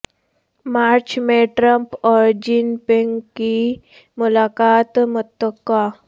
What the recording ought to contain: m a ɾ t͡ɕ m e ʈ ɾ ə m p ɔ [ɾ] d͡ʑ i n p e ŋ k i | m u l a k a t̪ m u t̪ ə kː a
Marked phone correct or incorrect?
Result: correct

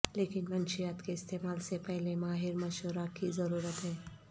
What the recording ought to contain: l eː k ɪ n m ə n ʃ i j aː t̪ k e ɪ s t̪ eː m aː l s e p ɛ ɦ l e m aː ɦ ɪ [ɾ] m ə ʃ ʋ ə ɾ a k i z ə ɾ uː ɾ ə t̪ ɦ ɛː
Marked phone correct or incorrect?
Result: correct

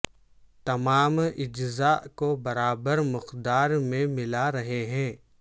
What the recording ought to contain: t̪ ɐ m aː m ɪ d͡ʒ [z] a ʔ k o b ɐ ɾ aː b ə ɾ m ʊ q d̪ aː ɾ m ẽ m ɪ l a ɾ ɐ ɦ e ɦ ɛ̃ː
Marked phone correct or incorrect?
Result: correct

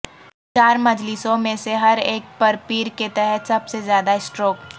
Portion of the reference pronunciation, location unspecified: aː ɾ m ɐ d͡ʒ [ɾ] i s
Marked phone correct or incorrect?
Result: incorrect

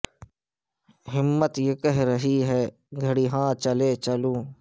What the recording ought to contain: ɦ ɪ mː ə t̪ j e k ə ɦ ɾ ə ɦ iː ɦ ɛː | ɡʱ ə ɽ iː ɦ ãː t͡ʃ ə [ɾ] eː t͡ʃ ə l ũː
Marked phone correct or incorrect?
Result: incorrect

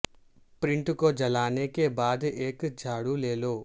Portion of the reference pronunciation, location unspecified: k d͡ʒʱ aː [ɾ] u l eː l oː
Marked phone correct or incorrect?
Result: incorrect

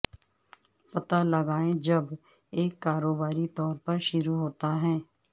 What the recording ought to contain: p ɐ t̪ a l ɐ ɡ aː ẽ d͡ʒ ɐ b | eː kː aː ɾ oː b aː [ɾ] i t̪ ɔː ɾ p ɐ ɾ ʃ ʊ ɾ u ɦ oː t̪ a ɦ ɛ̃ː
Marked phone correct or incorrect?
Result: correct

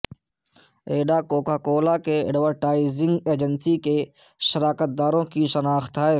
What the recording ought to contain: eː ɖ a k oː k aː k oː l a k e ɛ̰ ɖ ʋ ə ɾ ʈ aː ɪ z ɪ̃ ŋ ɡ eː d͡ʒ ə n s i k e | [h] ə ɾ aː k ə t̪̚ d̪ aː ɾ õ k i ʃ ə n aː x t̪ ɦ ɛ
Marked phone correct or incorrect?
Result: incorrect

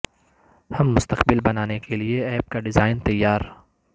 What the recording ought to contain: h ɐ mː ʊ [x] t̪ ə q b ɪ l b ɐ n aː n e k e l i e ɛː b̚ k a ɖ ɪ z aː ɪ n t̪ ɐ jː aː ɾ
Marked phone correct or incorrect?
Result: incorrect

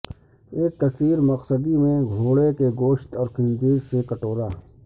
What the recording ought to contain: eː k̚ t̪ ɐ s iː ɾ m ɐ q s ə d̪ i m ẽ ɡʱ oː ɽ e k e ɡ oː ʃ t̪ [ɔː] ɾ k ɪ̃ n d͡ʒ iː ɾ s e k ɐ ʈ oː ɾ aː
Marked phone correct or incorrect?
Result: correct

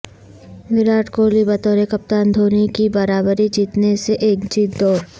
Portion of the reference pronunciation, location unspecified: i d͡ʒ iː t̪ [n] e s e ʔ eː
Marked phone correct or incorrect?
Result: correct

